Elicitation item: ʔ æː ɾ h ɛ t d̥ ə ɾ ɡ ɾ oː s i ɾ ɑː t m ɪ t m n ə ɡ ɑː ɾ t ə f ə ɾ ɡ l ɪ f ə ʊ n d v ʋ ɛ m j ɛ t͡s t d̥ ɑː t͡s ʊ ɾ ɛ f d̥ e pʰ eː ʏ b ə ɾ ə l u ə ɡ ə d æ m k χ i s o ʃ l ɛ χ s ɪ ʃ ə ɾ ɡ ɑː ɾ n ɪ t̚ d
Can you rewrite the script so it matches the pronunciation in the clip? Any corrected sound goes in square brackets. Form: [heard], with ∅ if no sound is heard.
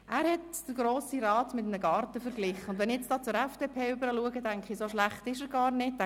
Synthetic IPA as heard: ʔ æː ɾ h ɛ t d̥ ə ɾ ɡ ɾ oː s i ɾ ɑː t m ɪ t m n ə ɡ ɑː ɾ t ə f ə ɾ ɡ l ɪ [χ] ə ʊ n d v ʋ ɛ [n] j ɛ t͡s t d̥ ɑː t͡s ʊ ɾ ɛ f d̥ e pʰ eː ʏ b ə ɾ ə l u ə ɡ ə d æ [ŋ] k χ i s o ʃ l [æ] χ [t] ɪ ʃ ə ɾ ɡ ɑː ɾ n ɪ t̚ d

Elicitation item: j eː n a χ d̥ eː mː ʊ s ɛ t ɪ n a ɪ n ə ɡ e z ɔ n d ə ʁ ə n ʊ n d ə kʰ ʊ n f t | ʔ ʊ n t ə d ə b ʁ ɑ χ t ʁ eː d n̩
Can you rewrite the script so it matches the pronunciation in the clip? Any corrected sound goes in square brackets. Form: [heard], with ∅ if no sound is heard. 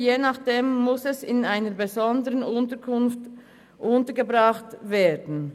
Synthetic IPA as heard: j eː n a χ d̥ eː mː ʊ s ɛ [s] ɪ n a ɪ n ə [b] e z ɔ n d ə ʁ ə n ʊ n [t] ə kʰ ʊ n f t | ʔ ʊ n t ə [ɡ] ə b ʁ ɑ χ t [v] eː d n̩

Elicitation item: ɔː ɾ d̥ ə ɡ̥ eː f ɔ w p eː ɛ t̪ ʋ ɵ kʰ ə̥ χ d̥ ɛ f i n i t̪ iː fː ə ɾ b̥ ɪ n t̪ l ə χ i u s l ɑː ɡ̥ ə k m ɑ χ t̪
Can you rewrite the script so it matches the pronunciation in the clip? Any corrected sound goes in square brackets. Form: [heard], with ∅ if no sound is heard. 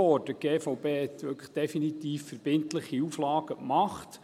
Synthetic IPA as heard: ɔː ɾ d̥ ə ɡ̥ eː f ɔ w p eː ɛ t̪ ʋ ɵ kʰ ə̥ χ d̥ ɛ f i n i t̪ iː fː ə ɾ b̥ ɪ n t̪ l ə χ i u [f] l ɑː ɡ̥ ə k m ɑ χ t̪

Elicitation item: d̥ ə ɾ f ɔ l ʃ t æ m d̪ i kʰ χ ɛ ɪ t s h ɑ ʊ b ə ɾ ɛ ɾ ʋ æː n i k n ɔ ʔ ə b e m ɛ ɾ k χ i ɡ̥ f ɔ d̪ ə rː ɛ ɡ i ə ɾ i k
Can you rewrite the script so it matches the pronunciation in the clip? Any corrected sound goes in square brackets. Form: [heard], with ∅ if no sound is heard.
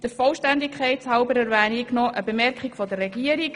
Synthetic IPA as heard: d̥ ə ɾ f ɔ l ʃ t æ [n] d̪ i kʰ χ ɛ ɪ t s h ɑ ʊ b ə ɾ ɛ ɾ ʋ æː n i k n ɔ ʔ ə b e m ɛ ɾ k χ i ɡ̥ f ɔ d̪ ə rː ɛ ɡ i ə ɾ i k

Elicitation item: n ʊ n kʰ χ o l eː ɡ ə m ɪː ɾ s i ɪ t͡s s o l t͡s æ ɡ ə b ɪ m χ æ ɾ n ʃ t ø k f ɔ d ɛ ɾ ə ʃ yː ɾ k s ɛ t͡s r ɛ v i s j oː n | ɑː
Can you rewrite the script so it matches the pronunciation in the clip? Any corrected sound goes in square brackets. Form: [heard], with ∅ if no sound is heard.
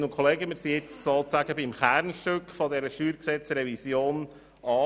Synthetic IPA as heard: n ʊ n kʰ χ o l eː ɡ ə m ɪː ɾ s i ɪ t͡s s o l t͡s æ ɡ ə b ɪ m χ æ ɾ n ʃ t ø k f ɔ d ɛ ɾ ə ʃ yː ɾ k s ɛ t͡s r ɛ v i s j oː n | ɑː

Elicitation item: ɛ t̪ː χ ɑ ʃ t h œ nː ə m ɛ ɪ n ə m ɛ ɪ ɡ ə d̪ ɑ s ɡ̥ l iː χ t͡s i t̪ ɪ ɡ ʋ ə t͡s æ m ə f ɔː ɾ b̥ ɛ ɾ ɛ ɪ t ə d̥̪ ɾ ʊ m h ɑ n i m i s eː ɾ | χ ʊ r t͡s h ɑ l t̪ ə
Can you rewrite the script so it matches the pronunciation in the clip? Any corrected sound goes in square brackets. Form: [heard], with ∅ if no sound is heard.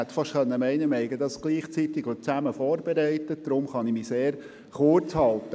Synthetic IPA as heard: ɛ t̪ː [f] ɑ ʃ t [χ] œ nː ə m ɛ ɪ n ə m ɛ ɪ ɡ ə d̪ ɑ s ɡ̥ l iː χ t͡s i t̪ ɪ ɡ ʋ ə t͡s æ m ə f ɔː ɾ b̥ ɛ ɾ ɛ ɪ t ə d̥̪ ɾ ʊ m [χ] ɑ n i m i s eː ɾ | χ ʊ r t͡s h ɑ l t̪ ə

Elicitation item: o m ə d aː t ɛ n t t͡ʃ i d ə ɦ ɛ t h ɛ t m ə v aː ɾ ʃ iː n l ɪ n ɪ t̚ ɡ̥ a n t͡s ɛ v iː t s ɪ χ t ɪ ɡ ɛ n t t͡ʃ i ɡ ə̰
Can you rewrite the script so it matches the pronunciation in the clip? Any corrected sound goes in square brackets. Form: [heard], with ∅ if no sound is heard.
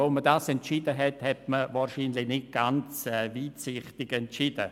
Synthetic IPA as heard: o m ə d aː [s] ɛ n t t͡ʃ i d ə ɦ ɛ t h ɛ t m ə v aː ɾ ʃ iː n l ɪ n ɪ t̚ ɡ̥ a n t͡s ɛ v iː t s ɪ χ t ɪ ɡ ɛ n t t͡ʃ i [d] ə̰

